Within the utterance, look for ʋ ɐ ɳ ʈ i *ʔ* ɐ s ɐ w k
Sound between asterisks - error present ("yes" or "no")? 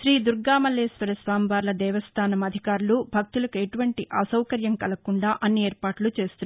no